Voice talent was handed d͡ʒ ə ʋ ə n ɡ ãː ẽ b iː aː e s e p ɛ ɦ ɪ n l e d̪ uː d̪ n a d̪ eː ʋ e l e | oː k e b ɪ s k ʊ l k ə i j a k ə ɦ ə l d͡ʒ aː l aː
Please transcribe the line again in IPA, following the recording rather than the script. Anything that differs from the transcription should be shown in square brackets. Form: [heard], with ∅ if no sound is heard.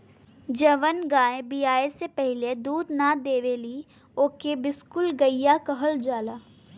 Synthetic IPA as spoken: d͡ʒ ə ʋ ə n ɡ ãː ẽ b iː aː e s e p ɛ ɦ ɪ [∅] l e d̪ uː d̪ n a d̪ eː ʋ e l [i] | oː k e b ɪ s k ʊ l [ɡ] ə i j a k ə ɦ ə l d͡ʒ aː l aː